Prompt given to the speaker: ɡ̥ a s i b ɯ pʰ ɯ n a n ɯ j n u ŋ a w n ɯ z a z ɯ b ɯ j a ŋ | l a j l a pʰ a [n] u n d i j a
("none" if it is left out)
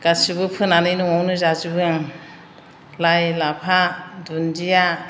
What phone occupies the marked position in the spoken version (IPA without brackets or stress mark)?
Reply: d